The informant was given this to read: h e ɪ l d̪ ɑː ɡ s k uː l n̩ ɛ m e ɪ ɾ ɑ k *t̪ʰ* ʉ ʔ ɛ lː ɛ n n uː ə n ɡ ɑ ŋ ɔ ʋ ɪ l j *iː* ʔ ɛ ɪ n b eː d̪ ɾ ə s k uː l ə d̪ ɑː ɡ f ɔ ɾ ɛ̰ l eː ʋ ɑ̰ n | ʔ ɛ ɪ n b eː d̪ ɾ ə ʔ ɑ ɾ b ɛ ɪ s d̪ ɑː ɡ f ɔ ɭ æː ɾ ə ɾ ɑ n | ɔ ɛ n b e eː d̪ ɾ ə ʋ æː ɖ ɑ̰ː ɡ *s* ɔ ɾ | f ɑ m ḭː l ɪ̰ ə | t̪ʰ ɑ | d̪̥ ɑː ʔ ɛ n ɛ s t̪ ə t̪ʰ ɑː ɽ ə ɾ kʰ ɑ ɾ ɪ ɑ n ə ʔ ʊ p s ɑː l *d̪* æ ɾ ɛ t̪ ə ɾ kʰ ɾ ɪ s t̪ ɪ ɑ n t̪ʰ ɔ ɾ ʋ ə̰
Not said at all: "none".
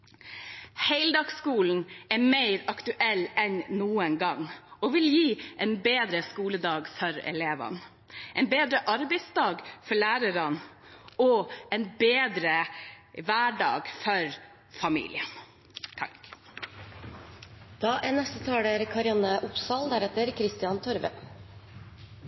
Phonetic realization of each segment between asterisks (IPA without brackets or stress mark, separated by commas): t̪, iː, f, d̪